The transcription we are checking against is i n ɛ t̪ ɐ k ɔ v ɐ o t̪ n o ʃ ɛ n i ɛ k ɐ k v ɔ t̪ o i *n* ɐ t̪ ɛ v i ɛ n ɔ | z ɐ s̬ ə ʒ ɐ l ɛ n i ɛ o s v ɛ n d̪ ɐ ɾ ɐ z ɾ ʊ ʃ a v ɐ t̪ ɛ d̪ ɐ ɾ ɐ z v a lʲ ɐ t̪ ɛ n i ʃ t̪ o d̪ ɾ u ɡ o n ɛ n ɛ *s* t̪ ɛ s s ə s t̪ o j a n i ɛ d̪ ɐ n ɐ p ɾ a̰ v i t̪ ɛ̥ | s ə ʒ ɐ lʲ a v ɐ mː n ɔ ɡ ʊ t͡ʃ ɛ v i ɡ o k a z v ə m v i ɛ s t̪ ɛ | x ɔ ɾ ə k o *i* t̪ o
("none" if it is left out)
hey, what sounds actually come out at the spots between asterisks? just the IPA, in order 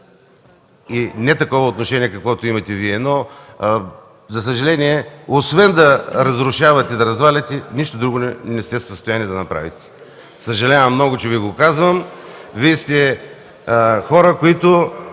m, s, i

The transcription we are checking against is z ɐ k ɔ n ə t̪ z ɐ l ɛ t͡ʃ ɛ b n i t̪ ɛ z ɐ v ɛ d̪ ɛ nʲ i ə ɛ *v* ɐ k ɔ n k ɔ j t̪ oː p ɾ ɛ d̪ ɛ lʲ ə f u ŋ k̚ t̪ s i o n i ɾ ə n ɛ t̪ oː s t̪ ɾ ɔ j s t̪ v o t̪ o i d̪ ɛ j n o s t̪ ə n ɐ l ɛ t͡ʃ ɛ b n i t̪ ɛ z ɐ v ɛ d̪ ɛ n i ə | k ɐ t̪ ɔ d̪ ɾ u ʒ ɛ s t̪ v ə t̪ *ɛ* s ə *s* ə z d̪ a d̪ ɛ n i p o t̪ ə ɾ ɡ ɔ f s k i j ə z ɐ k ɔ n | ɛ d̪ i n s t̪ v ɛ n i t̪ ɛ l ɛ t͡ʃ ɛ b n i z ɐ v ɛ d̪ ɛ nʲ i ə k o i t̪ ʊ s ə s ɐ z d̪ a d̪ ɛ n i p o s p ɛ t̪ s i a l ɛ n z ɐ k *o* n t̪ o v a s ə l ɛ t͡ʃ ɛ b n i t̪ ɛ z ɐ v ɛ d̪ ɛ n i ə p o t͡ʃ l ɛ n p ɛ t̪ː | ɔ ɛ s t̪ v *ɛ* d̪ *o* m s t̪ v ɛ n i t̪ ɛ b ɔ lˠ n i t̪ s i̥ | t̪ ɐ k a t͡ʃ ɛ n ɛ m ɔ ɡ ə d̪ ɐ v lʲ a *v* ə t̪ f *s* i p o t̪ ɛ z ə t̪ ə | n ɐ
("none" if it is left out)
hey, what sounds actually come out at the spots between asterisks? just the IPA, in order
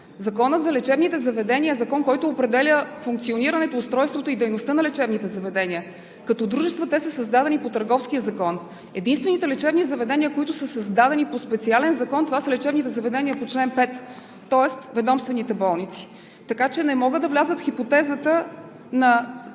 z, ɛ, s, ɔ, ɛ, ɔ, z, x

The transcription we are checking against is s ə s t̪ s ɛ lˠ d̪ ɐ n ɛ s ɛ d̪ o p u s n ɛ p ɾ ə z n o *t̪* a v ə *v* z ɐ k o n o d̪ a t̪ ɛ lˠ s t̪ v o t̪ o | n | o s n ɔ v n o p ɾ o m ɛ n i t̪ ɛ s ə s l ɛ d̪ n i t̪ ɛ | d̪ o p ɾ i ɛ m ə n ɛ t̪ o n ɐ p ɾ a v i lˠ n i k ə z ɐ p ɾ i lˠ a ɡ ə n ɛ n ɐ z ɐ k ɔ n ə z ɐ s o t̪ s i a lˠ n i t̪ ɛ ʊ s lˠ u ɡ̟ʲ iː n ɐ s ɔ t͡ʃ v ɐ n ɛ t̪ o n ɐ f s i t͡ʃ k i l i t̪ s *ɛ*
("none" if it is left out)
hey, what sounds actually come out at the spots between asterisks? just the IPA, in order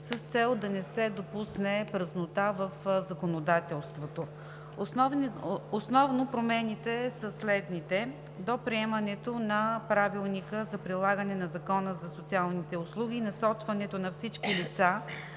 t̪, f, a

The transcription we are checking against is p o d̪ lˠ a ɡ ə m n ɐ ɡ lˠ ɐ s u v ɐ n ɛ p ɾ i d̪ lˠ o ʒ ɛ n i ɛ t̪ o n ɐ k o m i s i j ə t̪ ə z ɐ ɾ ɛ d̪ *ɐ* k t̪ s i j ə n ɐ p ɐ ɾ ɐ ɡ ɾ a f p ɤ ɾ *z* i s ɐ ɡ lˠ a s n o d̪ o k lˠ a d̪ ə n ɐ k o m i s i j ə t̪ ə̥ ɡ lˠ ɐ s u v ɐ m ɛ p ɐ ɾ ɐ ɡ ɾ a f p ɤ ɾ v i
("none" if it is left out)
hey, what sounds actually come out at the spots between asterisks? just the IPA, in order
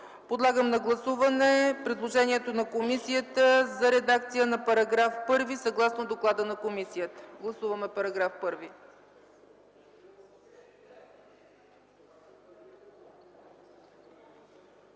a, v

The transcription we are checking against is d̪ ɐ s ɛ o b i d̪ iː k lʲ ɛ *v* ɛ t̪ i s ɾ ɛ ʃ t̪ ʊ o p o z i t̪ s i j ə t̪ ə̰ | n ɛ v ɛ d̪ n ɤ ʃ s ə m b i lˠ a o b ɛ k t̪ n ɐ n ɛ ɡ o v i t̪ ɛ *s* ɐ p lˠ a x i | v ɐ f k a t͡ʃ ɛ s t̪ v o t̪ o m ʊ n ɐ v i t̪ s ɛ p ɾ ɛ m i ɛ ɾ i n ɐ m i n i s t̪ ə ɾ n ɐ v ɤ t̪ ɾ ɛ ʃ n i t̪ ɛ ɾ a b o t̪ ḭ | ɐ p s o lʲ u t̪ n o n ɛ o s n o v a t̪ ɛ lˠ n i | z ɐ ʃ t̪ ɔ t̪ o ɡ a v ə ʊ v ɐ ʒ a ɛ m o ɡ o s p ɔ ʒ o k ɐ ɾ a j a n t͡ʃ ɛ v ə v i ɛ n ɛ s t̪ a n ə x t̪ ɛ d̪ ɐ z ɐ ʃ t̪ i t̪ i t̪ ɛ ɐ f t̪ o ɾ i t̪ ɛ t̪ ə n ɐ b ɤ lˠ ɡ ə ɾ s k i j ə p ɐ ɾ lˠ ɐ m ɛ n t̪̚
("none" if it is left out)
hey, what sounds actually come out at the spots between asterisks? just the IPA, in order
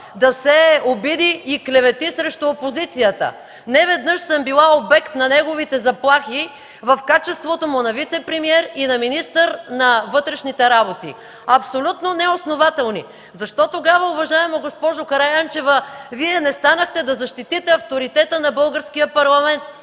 v, z

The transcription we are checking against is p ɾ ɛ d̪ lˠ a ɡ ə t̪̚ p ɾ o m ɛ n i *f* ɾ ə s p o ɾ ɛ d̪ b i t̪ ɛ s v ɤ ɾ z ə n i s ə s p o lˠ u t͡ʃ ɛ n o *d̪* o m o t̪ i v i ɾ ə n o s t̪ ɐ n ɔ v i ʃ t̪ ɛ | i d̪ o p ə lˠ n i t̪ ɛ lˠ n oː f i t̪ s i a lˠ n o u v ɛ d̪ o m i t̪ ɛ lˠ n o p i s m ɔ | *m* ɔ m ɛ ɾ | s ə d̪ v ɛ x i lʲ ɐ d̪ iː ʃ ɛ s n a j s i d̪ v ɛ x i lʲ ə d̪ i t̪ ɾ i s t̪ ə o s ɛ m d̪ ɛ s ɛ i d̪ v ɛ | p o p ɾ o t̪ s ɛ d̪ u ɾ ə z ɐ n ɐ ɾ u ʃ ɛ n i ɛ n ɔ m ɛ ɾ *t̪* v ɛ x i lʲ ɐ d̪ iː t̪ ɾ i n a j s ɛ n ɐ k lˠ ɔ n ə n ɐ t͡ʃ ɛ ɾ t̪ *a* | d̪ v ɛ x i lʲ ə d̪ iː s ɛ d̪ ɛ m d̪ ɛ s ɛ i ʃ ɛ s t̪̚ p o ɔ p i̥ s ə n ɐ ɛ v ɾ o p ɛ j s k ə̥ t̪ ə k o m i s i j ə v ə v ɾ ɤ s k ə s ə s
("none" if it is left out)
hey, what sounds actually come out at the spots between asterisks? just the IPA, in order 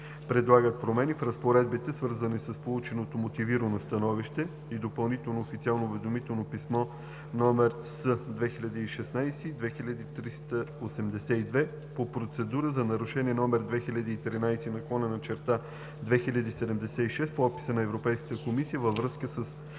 f, t̪, n, d̪, a

